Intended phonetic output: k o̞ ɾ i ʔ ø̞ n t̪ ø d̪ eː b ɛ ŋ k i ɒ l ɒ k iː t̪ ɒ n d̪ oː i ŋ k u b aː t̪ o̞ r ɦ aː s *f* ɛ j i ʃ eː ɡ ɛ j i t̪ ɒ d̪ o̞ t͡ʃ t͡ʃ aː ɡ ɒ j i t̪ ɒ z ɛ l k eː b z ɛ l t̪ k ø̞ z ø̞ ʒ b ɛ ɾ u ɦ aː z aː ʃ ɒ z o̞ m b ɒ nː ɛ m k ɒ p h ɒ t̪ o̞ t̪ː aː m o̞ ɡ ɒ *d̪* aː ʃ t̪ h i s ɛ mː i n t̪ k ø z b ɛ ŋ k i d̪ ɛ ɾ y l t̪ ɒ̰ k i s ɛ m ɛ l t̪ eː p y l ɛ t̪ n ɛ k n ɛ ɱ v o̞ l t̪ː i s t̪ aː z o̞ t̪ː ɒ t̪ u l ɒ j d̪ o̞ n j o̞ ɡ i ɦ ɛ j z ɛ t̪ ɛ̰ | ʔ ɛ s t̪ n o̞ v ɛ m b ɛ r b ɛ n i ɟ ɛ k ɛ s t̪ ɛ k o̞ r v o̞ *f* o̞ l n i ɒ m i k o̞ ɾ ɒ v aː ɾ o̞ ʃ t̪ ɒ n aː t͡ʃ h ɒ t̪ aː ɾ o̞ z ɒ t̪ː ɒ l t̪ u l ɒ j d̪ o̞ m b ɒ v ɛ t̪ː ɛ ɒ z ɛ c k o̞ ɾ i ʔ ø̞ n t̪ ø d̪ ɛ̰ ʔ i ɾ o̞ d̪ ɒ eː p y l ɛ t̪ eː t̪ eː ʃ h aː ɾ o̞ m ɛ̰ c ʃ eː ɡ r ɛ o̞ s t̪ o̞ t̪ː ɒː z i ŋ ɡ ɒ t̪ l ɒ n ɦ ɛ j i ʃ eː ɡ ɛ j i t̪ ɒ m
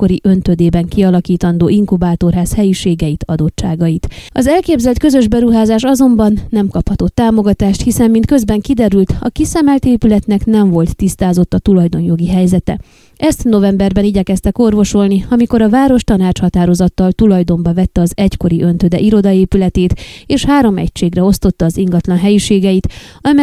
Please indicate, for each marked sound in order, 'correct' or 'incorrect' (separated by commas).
incorrect, incorrect, incorrect